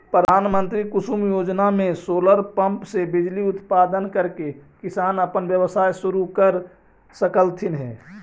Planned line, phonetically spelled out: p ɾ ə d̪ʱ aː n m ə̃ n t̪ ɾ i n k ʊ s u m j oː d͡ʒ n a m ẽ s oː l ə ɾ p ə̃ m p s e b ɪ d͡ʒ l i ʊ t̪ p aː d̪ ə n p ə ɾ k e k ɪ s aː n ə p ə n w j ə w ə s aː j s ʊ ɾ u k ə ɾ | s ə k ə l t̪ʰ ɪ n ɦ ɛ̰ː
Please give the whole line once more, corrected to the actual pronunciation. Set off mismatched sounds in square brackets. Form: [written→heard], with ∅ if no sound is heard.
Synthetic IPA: p ɾ ə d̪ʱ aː n m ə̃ n t̪ ɾ i [n→∅] k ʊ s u m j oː d͡ʒ n a m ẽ s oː l ə ɾ p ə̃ m p s e b ɪ d͡ʒ l i ʊ t̪ p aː d̪ ə n [p→k] ə ɾ k e k ɪ s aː n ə p ə n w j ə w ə s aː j s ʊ ɾ u k ə ɾ | s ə k ə l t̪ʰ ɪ n ɦ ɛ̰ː

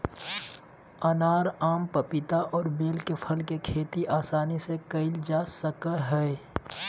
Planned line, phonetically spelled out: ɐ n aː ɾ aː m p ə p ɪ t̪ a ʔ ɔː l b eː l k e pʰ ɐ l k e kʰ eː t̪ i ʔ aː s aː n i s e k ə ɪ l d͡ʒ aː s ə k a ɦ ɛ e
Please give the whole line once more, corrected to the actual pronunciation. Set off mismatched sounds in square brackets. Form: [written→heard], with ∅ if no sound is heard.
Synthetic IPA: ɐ n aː ɾ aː m p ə p ɪ t̪ a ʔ ɔː [l→ɾ] b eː l k e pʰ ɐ l k e kʰ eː t̪ i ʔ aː s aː n i s e k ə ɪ l d͡ʒ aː s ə k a ɦ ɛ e

